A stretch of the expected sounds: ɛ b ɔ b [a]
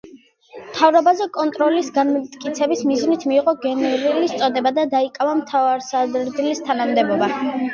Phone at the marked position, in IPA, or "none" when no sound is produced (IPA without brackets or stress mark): a